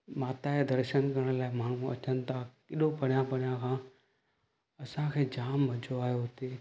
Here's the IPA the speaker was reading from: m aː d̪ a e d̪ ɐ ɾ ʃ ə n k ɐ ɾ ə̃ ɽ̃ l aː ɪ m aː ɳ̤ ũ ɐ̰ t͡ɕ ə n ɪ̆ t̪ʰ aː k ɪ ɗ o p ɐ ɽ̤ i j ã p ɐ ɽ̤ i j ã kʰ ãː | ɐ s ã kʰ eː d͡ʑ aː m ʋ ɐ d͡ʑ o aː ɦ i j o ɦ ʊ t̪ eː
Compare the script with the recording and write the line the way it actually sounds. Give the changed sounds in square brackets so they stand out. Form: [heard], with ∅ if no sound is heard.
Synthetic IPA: m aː [t̪] a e d̪ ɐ ɾ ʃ ə n k ɐ ɾ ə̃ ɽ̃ l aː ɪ m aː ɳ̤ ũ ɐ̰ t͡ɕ ə n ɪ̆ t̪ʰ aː k ɪ ɗ o p ɐ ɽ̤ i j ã p ɐ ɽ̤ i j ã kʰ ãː | ɐ s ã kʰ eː d͡ʑ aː m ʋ ɐ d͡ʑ o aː ɦ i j o ɦ ʊ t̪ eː